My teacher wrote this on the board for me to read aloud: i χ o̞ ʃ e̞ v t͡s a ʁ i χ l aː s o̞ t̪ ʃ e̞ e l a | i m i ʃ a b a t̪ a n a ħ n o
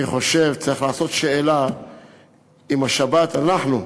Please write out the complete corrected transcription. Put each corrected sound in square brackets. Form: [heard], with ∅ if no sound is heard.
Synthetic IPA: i χ o̞ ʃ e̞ v t͡s a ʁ i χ l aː s o̞ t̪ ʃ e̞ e l a | i m [a] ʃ a b a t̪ a n a ħ n [u]